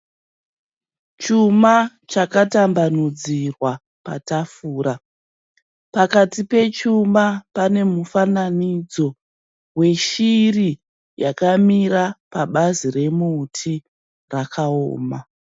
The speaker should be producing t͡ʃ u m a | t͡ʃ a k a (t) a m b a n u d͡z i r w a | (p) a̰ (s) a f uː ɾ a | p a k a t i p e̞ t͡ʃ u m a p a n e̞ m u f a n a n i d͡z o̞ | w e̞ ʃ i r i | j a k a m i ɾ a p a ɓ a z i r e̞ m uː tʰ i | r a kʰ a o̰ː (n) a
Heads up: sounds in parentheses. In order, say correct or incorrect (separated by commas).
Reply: correct, correct, incorrect, incorrect